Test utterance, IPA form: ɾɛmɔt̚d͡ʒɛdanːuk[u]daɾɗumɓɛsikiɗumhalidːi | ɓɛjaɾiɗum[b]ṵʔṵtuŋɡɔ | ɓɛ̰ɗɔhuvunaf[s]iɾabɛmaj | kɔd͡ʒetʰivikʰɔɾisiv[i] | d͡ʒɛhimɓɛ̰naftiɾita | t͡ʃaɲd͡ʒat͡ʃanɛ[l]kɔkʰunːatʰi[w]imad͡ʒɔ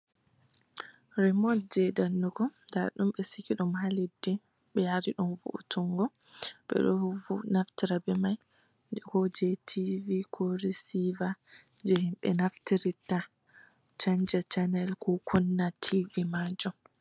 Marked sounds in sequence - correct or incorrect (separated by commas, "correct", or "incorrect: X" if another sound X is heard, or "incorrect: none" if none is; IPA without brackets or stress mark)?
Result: incorrect: ɔ, incorrect: v, incorrect: t, incorrect: a, correct, incorrect: v